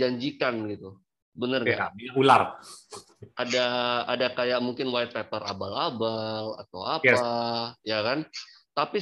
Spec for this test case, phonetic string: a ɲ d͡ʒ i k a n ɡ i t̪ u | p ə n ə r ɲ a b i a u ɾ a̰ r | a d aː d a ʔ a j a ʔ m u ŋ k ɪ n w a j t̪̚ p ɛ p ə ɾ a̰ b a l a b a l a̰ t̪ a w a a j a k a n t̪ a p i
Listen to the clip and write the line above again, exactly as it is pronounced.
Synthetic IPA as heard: a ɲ d͡ʒ i k a n ɡ i t̪ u | b ə n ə r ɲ a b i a u l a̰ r | a d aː d a k a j a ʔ m u ŋ k ɪ n w a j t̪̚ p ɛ p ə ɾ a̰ b a l a b a l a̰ t̪ a w a a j a k a n t̪ a p i